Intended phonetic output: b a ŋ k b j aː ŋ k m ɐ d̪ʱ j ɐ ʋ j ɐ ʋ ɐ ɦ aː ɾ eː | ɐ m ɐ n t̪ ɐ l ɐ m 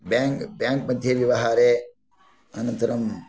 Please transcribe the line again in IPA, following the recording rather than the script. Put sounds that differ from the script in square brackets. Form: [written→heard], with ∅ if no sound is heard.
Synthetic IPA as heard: b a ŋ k b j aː ŋ k m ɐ d̪ʱ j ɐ ʋ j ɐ ʋ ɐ ɦ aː ɾ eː | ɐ [m→n] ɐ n t̪ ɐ [l→ɾ] ɐ m